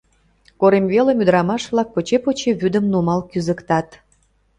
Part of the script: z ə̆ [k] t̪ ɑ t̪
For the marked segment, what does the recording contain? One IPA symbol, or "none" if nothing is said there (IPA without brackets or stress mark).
k